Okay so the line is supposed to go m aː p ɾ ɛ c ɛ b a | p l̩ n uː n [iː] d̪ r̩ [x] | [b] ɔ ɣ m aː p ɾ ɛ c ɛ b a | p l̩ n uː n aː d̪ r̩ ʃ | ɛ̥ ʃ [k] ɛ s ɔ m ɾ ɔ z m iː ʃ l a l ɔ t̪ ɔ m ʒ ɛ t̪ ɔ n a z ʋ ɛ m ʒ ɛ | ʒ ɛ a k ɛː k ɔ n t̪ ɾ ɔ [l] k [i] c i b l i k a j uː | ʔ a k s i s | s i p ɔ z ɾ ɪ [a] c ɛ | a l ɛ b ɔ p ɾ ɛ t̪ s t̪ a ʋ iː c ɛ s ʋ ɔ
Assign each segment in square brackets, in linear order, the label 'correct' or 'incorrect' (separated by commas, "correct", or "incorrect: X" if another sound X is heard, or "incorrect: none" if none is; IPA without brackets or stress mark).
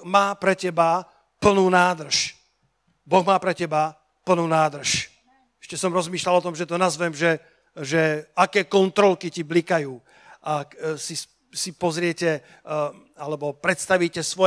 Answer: incorrect: aː, incorrect: ʃ, correct, incorrect: c, correct, correct, incorrect: ɛ